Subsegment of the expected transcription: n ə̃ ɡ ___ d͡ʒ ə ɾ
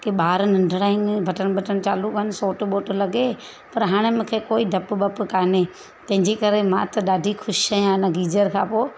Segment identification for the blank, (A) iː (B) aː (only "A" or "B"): A